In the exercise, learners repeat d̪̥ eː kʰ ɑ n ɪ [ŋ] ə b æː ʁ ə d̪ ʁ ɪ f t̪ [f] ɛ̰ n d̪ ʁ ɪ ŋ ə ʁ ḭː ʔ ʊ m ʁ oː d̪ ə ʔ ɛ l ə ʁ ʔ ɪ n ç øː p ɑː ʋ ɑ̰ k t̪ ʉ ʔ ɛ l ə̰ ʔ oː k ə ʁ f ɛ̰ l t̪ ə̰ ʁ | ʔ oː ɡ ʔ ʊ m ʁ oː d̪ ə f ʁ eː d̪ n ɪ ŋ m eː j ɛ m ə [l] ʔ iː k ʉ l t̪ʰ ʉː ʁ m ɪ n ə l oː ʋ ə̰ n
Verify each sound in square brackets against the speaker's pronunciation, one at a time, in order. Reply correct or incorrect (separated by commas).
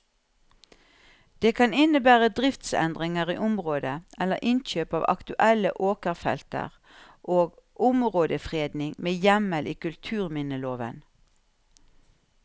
incorrect, incorrect, correct